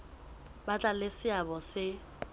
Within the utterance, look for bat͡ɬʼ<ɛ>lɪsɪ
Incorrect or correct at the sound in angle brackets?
incorrect: a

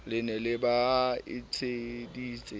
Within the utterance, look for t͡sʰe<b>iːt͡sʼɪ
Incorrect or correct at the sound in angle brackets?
incorrect: d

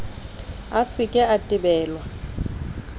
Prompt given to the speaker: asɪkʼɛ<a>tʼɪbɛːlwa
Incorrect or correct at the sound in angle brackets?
correct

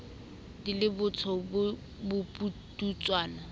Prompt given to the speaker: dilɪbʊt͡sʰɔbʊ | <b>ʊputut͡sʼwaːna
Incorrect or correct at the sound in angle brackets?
correct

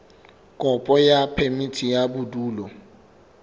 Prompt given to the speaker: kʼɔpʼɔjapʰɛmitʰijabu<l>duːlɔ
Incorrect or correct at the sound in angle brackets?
incorrect: none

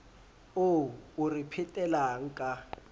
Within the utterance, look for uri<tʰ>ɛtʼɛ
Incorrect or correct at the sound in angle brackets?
incorrect: pʰ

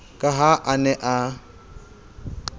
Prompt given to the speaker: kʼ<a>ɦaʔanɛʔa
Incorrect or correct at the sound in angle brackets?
correct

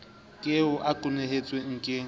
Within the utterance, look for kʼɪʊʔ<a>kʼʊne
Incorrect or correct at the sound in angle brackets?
correct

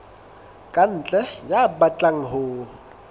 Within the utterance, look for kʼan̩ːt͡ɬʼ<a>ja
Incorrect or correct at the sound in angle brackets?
incorrect: ɛ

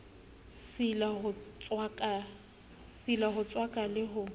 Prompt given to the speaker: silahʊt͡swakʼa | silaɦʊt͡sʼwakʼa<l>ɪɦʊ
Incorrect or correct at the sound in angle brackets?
correct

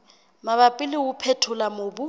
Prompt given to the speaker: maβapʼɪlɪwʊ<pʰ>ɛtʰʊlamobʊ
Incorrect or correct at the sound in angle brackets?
correct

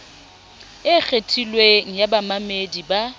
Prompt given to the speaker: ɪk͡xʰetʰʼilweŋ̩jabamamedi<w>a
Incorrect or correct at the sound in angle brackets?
incorrect: b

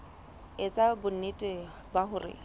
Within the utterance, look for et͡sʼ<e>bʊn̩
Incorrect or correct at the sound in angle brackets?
incorrect: a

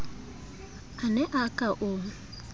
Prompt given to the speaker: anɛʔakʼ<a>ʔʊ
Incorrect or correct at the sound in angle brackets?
correct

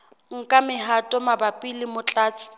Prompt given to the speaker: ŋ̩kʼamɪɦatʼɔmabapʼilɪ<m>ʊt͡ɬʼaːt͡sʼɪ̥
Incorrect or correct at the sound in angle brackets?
correct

